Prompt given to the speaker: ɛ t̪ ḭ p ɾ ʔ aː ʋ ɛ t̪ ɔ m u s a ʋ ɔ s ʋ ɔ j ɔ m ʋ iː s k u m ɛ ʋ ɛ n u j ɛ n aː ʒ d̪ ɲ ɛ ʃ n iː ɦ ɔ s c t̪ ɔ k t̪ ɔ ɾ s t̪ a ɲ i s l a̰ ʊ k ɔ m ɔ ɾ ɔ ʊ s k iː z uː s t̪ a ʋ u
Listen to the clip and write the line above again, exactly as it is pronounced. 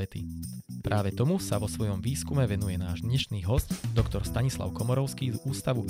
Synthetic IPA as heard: ɛ t̪ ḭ p ɾ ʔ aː ʋ ɛ t̪ ɔ m u s a ʋ ɔ s ʋ ɔ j ɔ m ʋ iː s k u m ɛ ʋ ɛ n u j ɛ n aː ʒ d̪ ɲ ɛ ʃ n iː ɦ ɔ s c d̪ ɔ k t̪ ɔ ɾ s t̪ a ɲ i s l a̰ ʊ k ɔ m ɔ ɾ ɔ ʊ s k iː z uː s t̪ a ʋ u